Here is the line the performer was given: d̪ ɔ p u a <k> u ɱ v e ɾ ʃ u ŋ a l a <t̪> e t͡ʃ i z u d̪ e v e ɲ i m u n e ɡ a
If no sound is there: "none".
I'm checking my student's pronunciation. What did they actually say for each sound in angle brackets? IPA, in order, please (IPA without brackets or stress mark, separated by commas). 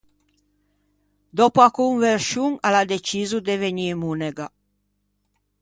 k, d̪